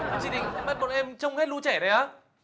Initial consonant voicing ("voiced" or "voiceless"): voiceless